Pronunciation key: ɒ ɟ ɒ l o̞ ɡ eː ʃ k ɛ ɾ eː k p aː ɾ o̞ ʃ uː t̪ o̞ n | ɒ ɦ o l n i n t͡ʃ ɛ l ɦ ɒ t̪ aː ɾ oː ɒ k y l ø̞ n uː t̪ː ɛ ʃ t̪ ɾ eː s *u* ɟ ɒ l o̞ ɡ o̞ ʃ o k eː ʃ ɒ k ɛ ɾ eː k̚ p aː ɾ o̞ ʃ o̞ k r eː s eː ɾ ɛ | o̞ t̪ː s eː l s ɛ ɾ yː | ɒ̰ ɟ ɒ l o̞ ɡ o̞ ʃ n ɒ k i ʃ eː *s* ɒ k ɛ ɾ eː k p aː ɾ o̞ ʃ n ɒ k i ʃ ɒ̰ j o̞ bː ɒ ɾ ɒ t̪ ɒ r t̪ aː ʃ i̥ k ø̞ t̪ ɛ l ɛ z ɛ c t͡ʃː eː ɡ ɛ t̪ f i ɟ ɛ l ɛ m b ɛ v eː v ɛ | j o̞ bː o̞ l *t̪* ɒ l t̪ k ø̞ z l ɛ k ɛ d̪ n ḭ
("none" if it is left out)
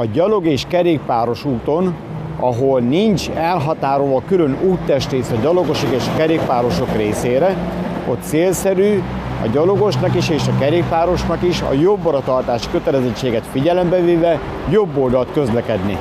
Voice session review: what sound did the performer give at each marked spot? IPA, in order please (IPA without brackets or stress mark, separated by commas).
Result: ɒ, ʃ, d̪